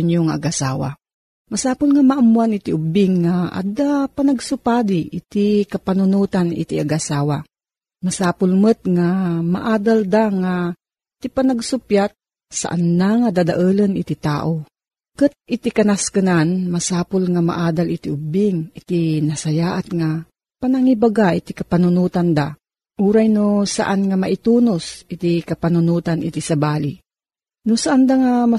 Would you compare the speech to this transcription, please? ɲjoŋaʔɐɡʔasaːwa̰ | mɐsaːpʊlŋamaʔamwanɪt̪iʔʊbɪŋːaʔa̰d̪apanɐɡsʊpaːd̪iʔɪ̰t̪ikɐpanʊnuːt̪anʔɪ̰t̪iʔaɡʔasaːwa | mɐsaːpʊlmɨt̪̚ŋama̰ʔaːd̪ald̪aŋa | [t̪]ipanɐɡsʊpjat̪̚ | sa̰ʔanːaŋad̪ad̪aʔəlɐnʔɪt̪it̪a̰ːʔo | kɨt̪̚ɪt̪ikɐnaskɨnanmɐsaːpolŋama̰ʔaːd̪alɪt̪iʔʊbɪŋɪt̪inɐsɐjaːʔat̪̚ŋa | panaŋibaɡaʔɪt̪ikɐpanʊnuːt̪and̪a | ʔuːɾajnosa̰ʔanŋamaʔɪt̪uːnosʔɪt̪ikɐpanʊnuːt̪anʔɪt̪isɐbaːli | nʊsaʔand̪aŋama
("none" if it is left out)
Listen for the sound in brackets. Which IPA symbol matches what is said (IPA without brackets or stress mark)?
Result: t̪